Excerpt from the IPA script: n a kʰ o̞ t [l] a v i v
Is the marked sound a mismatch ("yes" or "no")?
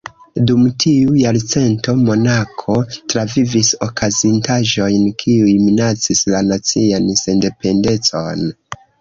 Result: yes